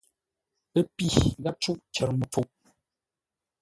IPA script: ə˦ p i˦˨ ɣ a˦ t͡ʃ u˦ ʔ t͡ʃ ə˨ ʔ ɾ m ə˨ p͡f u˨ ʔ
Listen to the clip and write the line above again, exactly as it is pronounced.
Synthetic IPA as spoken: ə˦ p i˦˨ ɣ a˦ t͡ʃ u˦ ʔ t͡ʃ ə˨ ɾ m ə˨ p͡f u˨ ʔ